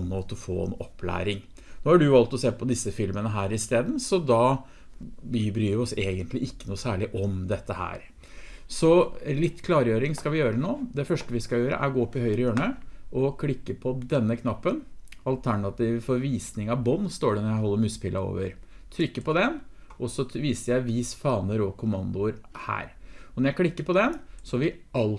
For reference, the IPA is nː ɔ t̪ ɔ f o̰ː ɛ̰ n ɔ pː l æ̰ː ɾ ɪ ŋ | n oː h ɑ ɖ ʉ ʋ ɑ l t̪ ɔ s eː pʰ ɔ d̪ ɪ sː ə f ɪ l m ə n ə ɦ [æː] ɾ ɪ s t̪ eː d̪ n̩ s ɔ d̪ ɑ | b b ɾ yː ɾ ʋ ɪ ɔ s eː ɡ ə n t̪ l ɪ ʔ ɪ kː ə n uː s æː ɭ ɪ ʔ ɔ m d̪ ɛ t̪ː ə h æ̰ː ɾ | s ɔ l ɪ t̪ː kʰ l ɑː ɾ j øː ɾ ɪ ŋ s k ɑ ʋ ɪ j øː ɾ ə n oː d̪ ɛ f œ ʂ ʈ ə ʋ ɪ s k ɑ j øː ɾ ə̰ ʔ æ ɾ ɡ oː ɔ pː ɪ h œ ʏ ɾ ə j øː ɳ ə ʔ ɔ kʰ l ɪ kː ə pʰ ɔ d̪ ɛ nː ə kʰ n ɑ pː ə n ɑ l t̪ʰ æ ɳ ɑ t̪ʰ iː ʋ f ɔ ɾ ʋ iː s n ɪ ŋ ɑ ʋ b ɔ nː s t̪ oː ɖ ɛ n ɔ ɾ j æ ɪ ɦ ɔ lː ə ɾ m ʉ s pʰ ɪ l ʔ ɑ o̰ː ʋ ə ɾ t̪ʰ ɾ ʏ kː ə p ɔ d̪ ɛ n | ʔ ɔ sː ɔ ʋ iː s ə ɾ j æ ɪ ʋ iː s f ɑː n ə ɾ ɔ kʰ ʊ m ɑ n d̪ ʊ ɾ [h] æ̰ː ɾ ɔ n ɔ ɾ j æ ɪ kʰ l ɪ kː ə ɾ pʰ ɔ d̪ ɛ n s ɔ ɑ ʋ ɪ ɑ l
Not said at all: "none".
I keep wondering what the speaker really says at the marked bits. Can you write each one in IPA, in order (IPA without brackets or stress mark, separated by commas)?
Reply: æː, h